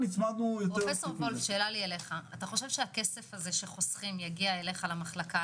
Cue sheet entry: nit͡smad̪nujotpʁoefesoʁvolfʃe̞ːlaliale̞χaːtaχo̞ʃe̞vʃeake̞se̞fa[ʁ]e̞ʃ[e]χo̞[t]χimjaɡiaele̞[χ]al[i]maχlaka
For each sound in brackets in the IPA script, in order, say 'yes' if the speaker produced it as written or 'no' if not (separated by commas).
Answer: no, yes, no, yes, no